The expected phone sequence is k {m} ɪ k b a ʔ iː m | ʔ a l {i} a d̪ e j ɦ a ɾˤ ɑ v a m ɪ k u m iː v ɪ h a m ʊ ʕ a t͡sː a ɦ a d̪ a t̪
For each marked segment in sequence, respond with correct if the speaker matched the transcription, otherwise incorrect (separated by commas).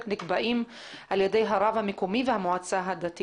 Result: incorrect, incorrect